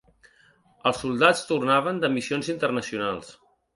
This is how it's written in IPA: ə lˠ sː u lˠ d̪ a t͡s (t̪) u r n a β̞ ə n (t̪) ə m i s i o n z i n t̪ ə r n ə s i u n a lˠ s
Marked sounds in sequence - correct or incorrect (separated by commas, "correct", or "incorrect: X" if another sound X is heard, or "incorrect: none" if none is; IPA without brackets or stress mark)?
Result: correct, incorrect: d̪